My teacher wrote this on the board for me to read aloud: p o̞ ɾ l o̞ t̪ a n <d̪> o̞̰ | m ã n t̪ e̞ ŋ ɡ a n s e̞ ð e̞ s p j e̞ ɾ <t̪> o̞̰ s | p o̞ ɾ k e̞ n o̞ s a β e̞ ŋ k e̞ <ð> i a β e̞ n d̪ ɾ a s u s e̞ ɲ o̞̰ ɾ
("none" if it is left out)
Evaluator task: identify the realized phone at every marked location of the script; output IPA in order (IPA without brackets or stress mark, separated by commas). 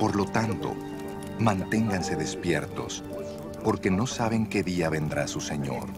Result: t̪, t̪, ð